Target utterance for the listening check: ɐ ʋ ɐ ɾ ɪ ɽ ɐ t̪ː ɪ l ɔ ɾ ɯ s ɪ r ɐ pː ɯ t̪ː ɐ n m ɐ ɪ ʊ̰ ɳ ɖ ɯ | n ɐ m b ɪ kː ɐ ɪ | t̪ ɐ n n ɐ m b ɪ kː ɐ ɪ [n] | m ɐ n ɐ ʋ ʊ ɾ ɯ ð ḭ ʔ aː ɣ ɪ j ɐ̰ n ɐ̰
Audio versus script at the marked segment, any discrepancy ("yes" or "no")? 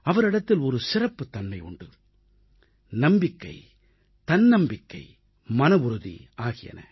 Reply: yes